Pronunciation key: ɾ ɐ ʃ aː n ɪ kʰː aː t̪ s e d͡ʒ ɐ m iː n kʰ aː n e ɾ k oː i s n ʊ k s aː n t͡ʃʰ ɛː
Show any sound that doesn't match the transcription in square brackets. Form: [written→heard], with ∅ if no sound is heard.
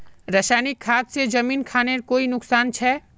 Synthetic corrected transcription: ɾ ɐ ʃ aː n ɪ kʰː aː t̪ s e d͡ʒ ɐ m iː n kʰ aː n e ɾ k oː i [s→∅] n ʊ k s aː n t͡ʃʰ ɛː